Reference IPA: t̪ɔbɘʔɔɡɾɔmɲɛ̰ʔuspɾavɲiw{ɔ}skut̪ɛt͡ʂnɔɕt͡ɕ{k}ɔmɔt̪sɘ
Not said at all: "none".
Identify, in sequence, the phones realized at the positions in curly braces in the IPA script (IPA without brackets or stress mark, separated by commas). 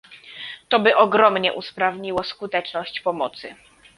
ɔ, p